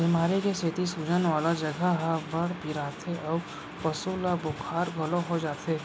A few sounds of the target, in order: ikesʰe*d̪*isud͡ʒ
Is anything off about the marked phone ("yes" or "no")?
yes